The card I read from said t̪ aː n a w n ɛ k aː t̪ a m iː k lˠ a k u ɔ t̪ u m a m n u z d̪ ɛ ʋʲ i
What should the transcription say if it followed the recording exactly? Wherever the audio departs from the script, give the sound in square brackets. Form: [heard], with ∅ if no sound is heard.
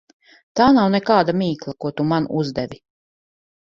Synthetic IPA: t̪ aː n a w n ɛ k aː [d̪] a m iː k lˠ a k u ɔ t̪ u m a [∅] n u z d̪ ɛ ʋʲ i